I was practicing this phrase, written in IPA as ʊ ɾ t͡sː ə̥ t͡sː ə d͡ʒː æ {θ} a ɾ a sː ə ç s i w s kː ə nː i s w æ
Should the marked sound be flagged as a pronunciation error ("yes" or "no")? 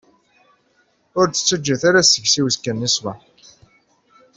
no